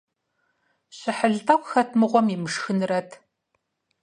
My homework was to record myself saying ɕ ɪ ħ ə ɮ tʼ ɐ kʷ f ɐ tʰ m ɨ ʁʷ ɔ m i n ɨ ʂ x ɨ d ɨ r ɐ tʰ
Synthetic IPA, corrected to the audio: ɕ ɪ ħ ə ɮ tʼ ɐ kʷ x ɐ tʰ m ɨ ʁʷ ɔ m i m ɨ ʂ x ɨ n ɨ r ɐ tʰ

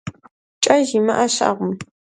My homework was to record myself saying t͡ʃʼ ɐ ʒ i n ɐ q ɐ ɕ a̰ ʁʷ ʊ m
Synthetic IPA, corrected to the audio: t͡ʃʼ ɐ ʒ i m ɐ ʔ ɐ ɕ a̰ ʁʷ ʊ m

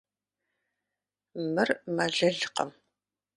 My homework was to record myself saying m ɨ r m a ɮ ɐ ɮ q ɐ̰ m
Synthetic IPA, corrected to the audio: m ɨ r m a ɮ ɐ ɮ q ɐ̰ m

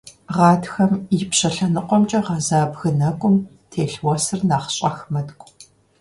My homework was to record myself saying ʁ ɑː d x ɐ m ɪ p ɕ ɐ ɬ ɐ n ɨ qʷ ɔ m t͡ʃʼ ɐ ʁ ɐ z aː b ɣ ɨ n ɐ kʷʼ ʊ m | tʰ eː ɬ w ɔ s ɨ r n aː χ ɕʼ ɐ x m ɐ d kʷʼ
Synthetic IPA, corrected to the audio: ʁ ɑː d x ɐ m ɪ p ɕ ɐ ɬ ɐ n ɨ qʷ ɔ m t͡ʃʼ ɐ ʁ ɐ z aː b ɣ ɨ n ɐ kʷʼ ʊ m | tʰ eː ɬ w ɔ s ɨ r n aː χ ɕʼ ɐ x m ɐ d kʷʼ

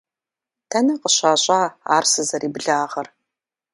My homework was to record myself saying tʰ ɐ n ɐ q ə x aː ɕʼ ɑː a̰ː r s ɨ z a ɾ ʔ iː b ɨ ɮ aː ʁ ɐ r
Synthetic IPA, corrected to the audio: tʰ ɐ n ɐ q ə ɕ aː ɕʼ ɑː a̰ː r s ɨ z ɐ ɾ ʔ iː b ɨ ɮ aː ʁ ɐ r

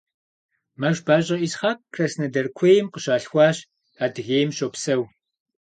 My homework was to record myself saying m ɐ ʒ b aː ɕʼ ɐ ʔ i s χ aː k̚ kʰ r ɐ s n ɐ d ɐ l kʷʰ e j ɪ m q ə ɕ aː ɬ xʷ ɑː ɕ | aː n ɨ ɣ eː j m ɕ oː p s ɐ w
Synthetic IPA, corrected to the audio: m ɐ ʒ b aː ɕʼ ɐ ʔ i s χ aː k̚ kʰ r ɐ s n ɐ d ɐ r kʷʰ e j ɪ m q ə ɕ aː ɬ xʷ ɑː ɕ | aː d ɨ ɣ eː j m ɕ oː p s ɐ w

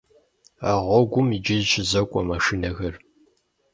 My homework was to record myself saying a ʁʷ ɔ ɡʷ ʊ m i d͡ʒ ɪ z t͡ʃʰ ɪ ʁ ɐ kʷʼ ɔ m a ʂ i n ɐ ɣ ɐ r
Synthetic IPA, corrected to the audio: a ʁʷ ɔ ɡʷ ʊ m i d͡ʒ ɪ z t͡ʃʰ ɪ z ɐ kʷʼ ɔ m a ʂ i n ɐ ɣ ɐ r

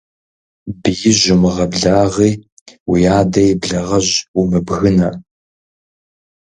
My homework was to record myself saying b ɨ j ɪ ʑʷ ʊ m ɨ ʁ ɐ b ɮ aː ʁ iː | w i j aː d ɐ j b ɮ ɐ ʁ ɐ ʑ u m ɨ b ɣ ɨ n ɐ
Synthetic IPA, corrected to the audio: b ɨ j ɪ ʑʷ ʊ m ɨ ʁ ɐ b ɮ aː ʁ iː | w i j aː d ɐ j b ɮ ɐ ʁ ɐ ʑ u m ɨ b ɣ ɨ n ɐ

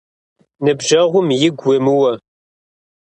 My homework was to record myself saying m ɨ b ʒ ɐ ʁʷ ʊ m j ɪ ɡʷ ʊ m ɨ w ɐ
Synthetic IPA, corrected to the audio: n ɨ b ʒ ɐ ʁʷ ʊ m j ɪ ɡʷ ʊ m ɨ w ɐ

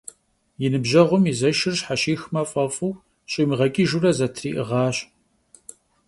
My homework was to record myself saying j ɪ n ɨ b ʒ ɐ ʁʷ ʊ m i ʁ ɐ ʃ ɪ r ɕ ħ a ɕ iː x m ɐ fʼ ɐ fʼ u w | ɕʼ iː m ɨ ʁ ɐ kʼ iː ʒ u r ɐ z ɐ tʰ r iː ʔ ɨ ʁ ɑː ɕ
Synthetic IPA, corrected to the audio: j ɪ n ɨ b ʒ ɐ ʁʷ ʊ m i z ɐ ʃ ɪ r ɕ ħ a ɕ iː x m ɐ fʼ ɐ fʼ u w | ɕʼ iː m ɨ ʁ ɐ kʼ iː ʒ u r ɐ z ɐ tʰ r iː ʔ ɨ ʁ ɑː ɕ

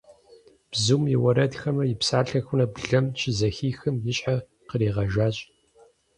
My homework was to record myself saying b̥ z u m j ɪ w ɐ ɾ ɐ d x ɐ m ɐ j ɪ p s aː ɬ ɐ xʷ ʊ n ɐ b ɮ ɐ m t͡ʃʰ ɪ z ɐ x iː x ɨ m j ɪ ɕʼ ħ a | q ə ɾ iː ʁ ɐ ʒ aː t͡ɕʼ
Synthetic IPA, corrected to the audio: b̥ z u m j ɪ w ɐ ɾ ɐ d x ɐ m ɐ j ɪ p s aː ɬ ɐ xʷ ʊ n ɐ b ɮ ɐ m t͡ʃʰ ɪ z ɐ x iː x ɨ m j ɪ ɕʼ ħ a | q ə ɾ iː ʁ ɐ ʒ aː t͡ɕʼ

